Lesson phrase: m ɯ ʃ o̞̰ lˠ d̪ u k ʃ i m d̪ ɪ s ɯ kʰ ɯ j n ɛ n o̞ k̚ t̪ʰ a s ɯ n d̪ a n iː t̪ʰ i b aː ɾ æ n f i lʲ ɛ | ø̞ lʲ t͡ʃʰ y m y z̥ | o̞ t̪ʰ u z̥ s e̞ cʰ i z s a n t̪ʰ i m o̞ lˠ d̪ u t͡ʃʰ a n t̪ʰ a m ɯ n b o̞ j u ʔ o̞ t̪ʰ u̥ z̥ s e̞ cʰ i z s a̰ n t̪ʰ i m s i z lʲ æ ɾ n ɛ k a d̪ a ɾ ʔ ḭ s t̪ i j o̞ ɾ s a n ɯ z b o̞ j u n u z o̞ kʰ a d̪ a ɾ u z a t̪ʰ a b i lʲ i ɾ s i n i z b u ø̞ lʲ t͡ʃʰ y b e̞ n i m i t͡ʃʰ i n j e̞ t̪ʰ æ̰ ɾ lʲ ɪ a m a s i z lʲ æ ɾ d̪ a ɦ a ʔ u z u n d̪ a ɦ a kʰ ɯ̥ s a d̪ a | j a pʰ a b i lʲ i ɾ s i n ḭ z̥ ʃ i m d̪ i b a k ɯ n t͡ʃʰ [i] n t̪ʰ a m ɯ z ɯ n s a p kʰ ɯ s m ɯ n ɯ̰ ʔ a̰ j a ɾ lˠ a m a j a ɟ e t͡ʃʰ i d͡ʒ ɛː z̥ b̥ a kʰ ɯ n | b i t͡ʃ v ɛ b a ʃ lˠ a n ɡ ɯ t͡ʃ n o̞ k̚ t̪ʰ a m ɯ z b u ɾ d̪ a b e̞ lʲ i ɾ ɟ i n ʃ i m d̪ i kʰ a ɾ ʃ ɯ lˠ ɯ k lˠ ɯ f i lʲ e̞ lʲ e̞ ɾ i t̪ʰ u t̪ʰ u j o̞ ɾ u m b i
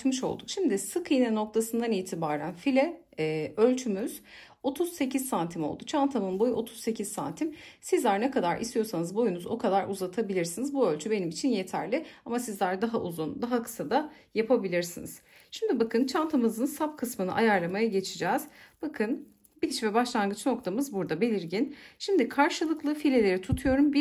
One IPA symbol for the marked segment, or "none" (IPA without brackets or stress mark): a